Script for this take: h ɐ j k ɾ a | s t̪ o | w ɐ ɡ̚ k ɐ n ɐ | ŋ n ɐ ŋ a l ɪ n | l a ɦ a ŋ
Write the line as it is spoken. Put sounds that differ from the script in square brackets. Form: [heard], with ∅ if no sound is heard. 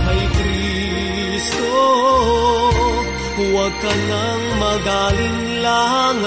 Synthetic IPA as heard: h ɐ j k ɾ [i] | s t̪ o | w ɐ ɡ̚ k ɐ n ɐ | ŋ [m] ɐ [ɡ] a l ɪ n | l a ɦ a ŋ